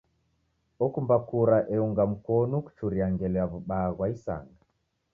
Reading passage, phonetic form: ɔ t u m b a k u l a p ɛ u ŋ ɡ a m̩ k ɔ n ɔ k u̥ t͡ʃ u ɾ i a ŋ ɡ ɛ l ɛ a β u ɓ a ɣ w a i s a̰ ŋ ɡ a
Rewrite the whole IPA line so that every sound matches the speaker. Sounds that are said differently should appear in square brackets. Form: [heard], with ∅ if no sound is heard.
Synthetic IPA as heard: ɔ [k] u m b a k u [ɾ] a [ʔ] ɛ u ŋ ɡ a m̩ k ɔ n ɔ k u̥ t͡ʃ u ɾ i a ŋ ɡ ɛ l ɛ a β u ɓ a ɣ w a i s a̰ ŋ ɡ a

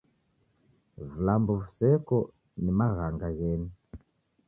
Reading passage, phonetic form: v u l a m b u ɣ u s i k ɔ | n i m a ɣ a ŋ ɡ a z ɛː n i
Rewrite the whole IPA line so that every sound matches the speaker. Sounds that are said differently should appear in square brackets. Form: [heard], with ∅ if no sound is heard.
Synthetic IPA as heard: v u l a m b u [v] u s [ɛ] k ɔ | n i m a ɣ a ŋ ɡ a [ɣ] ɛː n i

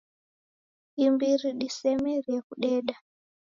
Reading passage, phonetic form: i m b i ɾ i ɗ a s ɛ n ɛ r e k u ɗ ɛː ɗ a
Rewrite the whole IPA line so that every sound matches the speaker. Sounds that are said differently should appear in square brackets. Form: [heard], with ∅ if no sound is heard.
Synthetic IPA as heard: i m b i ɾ i ɗ [i] s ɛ [m] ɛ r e k u ɗ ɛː ɗ a

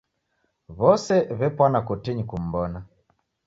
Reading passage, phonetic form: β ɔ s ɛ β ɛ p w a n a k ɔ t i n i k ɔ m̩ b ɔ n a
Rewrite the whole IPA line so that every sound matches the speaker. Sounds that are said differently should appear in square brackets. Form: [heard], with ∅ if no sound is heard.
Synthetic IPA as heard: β ɔ s ɛ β ɛ p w a n a k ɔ t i [ɲ] i k [u] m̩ b ɔ n a

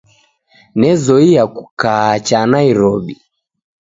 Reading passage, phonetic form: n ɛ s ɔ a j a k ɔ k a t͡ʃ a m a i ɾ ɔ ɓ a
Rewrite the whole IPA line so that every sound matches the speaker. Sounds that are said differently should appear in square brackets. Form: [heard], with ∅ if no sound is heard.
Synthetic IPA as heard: n ɛ [z] ɔ [i] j a k [u] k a t͡ʃ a [n] a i ɾ ɔ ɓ [i]

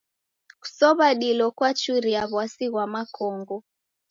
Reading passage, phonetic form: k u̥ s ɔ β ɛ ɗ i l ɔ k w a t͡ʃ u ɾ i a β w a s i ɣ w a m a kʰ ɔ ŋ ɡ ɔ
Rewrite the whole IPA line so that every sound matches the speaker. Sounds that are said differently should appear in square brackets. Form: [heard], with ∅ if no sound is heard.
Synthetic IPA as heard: k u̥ s ɔ β [a] ɗ i l ɔ k w a t͡ʃ u ɾ i a β w a s i ɣ w a m a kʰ ɔ ŋ ɡ ɔ

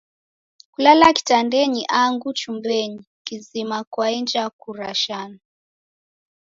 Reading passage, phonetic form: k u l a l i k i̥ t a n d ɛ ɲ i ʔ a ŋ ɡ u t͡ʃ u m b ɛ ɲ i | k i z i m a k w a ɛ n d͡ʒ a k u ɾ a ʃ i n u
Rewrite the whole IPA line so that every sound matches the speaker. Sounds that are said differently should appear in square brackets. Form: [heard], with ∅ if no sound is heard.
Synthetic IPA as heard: k u l a l [a] k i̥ t a n d ɛ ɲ i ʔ a ŋ ɡ u t͡ʃ u m b ɛ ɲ i | k i z i m a k w a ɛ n d͡ʒ a k u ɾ a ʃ [a] n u

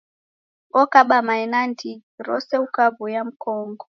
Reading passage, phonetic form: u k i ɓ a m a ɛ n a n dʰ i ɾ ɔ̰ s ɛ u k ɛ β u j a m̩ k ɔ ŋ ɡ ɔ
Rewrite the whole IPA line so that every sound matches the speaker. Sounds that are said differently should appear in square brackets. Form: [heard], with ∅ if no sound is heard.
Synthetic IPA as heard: [ɔ] k [a] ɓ a m a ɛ n a n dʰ i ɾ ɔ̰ s ɛ u k [a] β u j a m̩ k ɔ ŋ ɡ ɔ

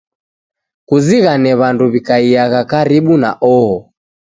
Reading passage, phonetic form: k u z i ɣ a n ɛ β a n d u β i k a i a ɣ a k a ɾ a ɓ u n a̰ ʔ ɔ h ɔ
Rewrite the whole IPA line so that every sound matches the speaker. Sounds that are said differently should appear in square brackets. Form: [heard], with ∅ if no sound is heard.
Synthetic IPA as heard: k u z i ɣ a n ɛ β a n d u β i k a i a ɣ a k a ɾ [i] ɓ u n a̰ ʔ ɔ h ɔ

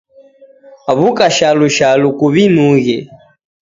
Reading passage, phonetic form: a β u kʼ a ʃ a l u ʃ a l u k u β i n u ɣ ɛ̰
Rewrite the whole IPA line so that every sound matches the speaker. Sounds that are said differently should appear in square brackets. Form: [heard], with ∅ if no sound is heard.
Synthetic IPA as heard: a β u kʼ a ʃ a l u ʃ a l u k u β i n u ɣ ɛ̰

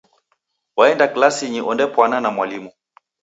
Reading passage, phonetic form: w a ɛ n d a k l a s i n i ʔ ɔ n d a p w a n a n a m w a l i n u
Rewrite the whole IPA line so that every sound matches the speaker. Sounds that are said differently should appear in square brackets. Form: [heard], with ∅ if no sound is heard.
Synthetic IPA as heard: w a ɛ n d a k l a s i [ɲ] i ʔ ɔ n d [ɛ] p w a n a n a m w a l i [m] u

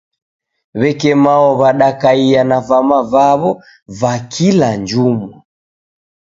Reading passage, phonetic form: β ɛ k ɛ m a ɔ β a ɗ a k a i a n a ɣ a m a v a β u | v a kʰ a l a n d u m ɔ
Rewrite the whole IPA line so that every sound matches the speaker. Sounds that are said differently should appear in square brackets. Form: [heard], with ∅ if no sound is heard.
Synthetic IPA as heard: β ɛ k ɛ m a ɔ β a ɗ a k a i a n a [v] a m a v a β [ɔ] | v a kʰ [i] l a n [d͡ʒ] u m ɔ

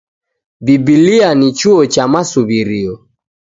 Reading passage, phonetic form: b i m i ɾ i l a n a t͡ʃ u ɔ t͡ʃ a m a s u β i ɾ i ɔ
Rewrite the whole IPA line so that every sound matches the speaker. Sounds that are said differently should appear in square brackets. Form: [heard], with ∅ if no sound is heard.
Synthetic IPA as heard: b i [b] i [l] i [∅] a n [i] t͡ʃ u ɔ t͡ʃ a m a s u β i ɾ i ɔ

